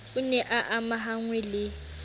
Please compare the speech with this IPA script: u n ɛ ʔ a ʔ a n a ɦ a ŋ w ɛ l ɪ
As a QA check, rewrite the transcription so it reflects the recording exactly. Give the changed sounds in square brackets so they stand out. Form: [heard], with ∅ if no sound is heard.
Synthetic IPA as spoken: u n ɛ ʔ a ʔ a [m] a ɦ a ŋ w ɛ l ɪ